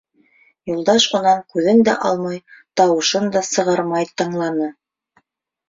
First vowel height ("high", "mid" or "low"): high